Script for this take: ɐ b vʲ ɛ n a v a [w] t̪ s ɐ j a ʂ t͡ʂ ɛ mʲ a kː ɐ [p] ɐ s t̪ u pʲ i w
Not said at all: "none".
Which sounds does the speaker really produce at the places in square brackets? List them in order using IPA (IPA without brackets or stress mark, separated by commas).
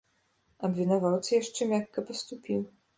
w, p